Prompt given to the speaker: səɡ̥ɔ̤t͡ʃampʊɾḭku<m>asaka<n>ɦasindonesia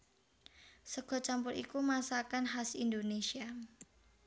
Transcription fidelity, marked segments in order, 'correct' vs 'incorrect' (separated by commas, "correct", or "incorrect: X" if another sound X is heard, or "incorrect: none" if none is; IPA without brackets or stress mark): correct, correct